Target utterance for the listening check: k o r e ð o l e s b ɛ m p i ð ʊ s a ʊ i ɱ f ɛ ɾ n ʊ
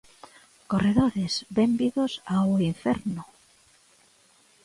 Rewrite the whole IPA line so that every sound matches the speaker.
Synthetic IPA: k o r e ð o ɾ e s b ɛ m b i ð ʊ s a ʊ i ɱ f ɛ ɾ n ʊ